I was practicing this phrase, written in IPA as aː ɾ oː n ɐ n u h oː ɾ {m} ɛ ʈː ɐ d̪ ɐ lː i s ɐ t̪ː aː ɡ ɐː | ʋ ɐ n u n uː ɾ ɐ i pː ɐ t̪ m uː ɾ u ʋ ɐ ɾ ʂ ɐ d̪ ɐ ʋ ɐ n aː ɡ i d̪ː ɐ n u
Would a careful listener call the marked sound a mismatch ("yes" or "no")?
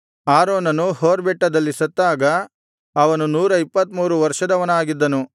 yes